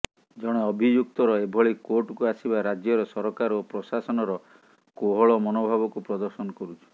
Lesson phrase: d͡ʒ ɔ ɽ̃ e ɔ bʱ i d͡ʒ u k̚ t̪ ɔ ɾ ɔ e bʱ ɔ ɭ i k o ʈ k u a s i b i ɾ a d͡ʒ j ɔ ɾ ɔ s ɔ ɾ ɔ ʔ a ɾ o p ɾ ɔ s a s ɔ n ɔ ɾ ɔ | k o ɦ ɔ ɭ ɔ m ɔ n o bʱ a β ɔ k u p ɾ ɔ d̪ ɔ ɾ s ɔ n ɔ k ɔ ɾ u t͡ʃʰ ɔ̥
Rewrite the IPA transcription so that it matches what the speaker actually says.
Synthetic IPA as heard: d͡ʒ ɔ ɽ̃ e ɔ bʱ i d͡ʒ u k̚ t̪ ɔ ɾ ɔ e bʱ ɔ ɭ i k o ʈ k u a s i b a ɾ a d͡ʒ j ɔ ɾ ɔ s ɔ ɾ ɔ k a ɾ o p ɾ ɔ s a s ɔ n ɔ ɾ ɔ | k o ɦ ɔ ɭ ɔ m ɔ n o bʱ a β ɔ k u p ɾ ɔ d̪ ɔ ɾ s ɔ n ɔ k ɔ ɾ u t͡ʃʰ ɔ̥